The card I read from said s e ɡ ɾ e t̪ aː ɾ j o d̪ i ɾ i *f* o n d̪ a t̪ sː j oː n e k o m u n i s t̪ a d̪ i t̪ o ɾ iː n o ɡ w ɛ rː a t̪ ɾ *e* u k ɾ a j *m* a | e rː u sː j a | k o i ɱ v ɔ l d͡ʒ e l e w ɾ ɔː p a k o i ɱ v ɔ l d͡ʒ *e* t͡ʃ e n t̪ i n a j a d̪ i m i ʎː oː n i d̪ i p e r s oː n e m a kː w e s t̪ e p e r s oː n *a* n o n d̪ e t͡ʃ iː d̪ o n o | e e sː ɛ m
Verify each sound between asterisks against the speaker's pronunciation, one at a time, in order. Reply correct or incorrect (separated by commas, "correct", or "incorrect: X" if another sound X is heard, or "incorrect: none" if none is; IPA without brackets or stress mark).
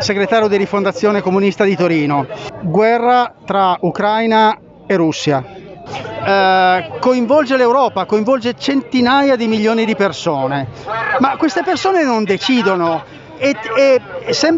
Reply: correct, incorrect: a, incorrect: n, correct, incorrect: e